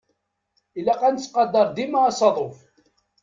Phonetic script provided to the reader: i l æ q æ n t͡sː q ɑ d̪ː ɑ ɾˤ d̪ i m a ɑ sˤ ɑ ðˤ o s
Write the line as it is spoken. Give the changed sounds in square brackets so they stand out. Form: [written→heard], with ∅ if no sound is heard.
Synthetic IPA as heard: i l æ q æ n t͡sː q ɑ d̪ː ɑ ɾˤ d̪ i m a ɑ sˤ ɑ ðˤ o [s→f]